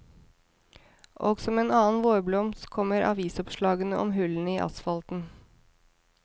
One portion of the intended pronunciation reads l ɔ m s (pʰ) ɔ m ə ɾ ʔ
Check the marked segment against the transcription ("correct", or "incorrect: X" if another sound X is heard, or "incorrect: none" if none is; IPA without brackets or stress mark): incorrect: kʰ